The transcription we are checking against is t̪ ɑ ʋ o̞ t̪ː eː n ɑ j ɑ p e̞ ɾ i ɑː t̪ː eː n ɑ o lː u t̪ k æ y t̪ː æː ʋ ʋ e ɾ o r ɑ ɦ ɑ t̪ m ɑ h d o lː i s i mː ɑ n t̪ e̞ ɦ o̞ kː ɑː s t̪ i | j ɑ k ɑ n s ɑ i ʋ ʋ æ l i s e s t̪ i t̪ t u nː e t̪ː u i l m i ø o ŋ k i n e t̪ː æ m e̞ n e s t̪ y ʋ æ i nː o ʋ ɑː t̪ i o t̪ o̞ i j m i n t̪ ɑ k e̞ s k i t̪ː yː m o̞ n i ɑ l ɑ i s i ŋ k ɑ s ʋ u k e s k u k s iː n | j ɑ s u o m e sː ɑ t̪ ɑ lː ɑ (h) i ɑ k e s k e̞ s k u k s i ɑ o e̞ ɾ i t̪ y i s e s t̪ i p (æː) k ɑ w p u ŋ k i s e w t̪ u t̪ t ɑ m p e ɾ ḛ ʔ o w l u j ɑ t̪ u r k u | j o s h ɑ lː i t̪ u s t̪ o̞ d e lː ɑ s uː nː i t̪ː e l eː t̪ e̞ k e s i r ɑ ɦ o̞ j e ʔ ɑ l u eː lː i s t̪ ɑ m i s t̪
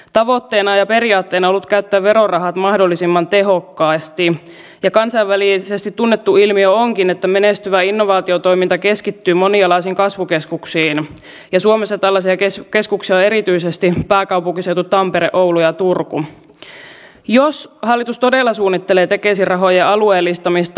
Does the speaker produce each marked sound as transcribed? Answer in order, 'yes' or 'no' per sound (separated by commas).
no, yes